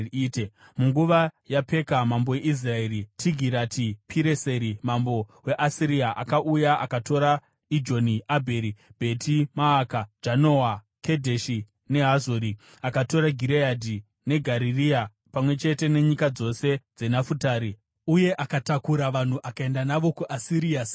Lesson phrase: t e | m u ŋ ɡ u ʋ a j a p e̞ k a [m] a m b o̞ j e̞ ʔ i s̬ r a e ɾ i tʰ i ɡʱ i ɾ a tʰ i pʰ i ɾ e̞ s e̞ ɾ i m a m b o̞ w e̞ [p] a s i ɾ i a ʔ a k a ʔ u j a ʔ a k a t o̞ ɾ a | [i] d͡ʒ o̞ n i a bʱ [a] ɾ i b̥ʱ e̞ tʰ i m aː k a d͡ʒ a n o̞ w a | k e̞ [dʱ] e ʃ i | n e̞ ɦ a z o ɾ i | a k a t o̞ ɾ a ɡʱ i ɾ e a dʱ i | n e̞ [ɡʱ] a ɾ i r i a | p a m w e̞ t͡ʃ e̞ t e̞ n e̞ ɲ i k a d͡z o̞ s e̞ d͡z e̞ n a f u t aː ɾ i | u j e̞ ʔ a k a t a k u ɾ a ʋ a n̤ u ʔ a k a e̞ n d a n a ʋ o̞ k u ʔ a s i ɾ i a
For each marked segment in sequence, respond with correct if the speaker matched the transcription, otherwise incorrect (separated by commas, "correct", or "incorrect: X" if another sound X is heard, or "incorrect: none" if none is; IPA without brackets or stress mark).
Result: correct, incorrect: ʔ, correct, incorrect: e, correct, correct